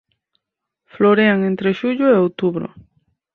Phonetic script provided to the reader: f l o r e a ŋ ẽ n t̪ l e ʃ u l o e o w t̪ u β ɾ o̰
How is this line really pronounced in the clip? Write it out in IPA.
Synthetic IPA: f l o ɾ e a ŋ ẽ n t̪ ɾ e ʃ u ʎ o e o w t̪ u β ɾ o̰

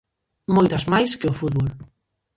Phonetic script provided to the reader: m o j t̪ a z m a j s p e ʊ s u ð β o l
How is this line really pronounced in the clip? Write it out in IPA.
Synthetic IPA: m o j t̪ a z m a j s k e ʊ f u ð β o l

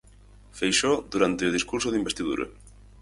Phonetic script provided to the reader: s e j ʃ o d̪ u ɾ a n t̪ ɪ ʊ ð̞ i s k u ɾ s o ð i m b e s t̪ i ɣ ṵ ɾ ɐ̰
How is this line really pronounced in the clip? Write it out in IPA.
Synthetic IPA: f e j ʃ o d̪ u ɾ a n t̪ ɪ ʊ ð̞ i s k u ɾ s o ð i m b e s t̪ i ð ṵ ɾ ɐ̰

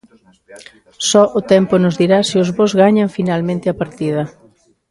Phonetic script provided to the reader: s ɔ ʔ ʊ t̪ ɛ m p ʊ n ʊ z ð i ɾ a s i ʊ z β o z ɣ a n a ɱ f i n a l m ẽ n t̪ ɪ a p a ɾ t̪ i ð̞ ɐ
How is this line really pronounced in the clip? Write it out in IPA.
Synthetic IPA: s ɔ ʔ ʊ t̪ ɛ m p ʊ n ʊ z ð i ɾ a s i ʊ z β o z ɣ a ɲ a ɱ f i n a l m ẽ n t̪ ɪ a p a ɾ t̪ i ð̞ ɐ

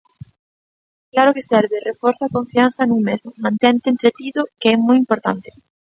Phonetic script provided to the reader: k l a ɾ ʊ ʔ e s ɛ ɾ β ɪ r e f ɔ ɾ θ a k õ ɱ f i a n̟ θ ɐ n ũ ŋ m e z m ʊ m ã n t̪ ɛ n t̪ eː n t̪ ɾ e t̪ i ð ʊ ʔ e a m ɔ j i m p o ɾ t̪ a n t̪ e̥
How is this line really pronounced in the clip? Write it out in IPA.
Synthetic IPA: k l a ɾ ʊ k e s ɛ ɾ β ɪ r e f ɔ ɾ θ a k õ ɱ f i a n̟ θ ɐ n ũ ŋ m e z m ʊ m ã n t̪ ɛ n t̪ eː n t̪ ɾ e t̪ i ð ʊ k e ɛ m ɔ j i m p o ɾ t̪ a n t̪ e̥

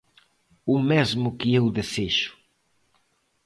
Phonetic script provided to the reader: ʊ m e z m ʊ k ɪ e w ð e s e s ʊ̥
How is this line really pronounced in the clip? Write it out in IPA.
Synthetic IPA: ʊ m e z m ʊ k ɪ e w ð e s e ʃ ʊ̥

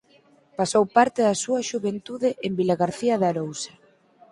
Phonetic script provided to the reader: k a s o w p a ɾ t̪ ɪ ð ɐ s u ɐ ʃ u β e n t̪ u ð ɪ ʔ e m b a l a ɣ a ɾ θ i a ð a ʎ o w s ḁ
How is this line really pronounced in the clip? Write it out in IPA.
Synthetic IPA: p a s o w p a ɾ t̪ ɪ ð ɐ s u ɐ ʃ u β e n t̪ u ð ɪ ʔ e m b i l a ɣ a ɾ θ i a ð a ɾ o w s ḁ

